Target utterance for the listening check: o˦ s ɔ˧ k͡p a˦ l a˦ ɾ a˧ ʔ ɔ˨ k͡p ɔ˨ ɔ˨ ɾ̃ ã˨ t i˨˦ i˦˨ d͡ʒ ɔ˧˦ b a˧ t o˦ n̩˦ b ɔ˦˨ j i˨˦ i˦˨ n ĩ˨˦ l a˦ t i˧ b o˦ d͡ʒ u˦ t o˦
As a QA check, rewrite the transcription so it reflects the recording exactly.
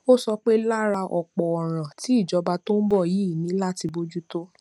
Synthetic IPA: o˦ s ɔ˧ k͡p e˦ l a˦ ɾ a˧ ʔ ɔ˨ k͡p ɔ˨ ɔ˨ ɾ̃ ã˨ t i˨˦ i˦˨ d͡ʒ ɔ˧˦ b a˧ t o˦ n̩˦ b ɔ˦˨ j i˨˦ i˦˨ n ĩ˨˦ l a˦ t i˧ b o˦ d͡ʒ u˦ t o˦